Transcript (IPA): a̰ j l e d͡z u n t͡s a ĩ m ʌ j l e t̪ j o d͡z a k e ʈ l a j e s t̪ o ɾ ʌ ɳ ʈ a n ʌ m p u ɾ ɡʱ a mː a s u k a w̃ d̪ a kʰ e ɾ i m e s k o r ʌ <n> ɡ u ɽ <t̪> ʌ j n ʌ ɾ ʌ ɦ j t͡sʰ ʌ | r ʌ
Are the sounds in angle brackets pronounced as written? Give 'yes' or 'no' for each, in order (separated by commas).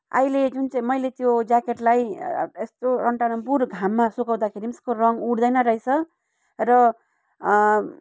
no, no